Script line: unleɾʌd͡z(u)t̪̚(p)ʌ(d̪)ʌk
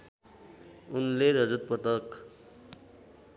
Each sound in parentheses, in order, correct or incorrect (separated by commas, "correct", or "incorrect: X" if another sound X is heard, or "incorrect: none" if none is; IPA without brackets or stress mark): correct, correct, incorrect: t̪